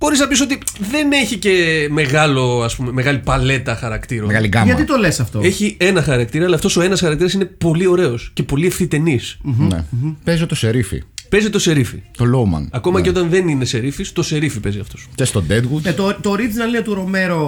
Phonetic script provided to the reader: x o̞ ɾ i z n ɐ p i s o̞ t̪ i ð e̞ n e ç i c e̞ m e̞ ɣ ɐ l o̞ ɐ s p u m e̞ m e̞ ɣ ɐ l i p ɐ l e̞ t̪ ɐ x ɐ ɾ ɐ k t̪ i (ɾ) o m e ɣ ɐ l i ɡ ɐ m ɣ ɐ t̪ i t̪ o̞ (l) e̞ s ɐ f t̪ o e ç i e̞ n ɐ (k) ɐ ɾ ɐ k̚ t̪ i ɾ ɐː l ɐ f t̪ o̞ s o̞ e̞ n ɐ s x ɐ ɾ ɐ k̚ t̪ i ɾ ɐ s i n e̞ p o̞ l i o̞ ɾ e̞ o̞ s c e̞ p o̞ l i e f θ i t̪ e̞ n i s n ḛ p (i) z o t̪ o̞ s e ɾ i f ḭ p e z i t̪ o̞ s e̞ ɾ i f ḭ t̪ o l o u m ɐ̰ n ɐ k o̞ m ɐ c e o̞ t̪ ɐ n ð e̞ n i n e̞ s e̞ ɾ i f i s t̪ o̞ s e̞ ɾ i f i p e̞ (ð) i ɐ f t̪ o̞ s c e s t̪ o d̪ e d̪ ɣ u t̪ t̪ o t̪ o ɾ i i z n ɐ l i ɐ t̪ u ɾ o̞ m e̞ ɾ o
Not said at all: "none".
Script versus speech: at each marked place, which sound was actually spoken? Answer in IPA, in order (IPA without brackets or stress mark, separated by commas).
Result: ɾ, l, x, e, z